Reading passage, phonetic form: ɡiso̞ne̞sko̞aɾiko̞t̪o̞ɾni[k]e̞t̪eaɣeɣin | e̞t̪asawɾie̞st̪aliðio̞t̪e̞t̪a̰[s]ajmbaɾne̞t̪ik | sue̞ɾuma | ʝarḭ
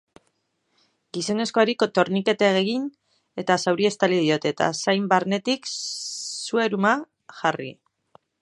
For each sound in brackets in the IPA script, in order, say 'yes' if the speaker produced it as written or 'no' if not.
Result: yes, yes

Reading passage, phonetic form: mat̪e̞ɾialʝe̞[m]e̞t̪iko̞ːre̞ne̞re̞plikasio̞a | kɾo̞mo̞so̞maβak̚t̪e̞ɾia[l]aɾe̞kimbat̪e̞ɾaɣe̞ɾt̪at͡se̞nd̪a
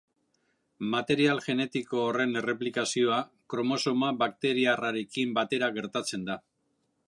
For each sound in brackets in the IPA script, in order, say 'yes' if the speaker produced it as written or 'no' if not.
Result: no, no

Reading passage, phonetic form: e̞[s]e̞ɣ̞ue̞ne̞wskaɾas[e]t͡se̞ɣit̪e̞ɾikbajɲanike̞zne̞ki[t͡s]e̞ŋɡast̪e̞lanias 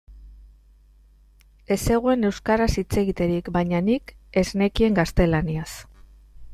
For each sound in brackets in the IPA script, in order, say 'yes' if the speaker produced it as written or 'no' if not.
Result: yes, no, no

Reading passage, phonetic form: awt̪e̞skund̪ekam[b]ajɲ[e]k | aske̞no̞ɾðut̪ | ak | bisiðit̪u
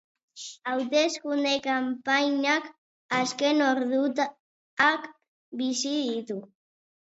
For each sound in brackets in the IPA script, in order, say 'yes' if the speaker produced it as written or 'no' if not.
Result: no, no

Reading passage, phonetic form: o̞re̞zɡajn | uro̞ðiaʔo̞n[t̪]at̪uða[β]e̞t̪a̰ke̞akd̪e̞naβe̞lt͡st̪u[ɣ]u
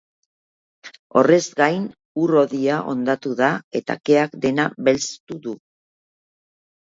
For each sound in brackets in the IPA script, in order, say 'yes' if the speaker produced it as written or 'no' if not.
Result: no, no, no

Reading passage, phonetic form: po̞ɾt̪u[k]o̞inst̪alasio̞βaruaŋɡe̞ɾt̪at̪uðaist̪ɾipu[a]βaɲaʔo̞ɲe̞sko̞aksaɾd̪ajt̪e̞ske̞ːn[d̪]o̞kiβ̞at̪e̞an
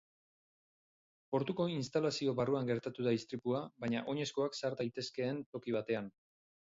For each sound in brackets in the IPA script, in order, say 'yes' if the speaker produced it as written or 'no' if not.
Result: yes, yes, no

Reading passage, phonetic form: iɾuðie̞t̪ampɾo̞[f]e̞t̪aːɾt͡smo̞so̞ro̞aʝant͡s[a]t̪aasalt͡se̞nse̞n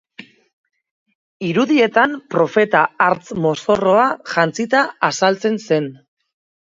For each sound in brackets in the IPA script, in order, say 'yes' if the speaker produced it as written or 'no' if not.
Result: yes, no

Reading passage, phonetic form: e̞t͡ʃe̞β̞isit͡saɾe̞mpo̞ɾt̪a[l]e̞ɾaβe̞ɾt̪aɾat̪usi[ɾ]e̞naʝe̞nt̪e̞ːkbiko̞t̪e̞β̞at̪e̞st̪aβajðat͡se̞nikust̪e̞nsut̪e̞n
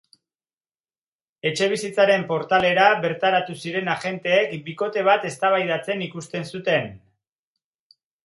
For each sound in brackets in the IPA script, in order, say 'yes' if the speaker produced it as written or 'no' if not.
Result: yes, yes

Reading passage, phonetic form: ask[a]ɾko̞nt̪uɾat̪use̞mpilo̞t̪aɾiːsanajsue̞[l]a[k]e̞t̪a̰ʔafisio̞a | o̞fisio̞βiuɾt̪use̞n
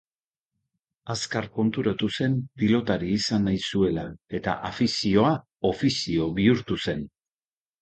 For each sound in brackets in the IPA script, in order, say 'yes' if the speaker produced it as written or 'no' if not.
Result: yes, yes, no

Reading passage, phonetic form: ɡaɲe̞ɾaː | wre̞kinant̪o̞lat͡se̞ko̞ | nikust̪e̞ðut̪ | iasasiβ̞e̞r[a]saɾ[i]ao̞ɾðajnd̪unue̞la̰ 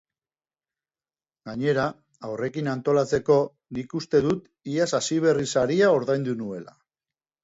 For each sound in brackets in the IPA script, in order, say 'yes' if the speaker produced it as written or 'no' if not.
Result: no, yes

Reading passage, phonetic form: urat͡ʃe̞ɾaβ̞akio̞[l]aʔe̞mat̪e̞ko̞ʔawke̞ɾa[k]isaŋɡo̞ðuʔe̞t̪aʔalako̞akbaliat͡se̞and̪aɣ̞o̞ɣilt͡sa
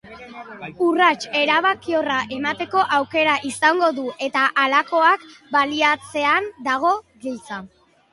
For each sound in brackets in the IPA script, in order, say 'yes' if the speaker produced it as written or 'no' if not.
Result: no, no

